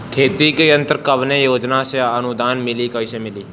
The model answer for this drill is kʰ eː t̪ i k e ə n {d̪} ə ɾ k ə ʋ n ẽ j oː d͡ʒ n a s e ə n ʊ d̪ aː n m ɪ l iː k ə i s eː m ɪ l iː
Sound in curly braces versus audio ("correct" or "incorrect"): incorrect